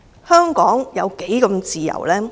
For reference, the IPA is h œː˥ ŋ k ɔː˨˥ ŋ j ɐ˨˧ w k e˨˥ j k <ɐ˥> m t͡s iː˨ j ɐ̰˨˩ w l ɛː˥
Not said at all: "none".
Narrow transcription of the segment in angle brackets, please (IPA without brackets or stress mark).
ɐ˧